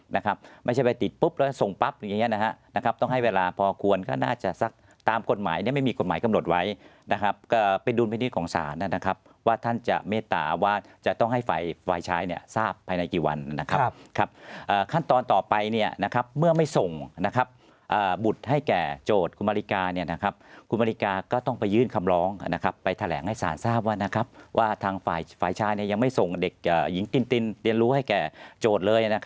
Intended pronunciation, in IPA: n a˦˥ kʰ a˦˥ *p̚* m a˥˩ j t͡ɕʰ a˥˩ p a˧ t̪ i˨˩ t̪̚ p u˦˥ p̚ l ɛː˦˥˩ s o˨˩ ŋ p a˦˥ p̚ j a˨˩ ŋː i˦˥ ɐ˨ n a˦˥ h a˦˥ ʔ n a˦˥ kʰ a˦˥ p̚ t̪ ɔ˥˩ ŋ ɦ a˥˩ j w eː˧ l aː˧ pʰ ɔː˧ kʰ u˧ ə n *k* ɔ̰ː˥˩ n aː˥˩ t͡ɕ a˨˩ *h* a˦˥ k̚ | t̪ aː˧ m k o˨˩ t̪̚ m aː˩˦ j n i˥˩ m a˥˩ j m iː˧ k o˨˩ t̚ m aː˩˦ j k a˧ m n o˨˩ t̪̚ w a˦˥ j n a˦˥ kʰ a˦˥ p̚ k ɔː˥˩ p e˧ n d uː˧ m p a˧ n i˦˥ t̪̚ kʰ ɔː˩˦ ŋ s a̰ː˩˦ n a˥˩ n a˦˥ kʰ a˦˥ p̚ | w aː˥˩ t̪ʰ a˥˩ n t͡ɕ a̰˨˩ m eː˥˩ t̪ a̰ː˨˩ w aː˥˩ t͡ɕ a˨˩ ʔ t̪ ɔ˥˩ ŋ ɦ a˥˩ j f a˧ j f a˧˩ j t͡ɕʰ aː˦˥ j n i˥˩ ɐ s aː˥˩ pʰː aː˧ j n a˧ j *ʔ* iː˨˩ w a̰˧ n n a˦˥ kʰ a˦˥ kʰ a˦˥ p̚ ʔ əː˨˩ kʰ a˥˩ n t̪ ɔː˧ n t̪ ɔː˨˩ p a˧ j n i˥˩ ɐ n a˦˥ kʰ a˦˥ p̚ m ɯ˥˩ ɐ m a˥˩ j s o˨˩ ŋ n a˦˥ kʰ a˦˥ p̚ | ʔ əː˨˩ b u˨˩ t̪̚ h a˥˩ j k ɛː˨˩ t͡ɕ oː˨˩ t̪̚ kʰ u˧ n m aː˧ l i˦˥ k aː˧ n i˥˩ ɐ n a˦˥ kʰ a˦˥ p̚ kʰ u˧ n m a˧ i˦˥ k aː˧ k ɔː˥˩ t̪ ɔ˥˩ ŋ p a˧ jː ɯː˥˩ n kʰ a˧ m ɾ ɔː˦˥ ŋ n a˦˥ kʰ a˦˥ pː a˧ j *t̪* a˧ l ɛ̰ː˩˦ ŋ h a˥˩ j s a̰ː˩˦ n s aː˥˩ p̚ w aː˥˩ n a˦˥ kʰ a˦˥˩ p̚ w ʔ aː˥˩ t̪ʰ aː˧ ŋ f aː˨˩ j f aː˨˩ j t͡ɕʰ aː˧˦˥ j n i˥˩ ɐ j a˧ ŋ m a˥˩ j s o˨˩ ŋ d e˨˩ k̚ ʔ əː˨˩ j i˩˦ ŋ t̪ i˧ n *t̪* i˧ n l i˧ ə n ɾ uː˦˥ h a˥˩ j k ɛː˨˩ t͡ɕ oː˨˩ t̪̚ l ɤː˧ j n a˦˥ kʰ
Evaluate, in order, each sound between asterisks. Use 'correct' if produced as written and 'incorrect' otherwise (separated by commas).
correct, correct, incorrect, incorrect, incorrect, correct